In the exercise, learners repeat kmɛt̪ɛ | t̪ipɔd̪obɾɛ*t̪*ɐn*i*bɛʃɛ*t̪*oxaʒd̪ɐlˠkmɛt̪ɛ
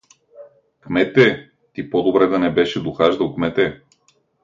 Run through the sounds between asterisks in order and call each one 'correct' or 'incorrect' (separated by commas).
incorrect, incorrect, incorrect